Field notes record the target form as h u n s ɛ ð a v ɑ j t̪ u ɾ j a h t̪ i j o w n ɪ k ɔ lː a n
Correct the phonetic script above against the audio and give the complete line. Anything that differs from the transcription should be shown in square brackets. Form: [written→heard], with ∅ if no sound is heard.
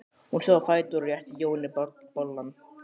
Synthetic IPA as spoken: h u n s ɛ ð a [v→f] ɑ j t̪ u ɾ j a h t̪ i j o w n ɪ [k→p] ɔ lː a n